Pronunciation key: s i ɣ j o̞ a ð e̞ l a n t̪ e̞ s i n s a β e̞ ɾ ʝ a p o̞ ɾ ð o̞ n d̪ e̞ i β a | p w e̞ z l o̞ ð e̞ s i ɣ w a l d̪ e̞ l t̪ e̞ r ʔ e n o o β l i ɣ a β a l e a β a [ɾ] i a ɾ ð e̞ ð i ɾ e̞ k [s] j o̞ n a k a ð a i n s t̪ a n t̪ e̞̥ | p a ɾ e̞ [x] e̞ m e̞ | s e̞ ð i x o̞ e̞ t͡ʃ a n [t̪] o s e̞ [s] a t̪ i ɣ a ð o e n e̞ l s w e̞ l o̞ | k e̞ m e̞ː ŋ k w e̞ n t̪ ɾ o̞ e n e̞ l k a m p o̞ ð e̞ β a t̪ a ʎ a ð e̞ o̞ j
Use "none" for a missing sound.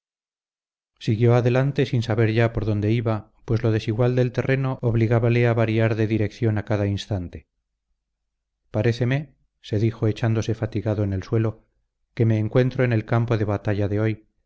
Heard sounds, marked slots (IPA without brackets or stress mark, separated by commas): ɾ, θ, θ, d̪, f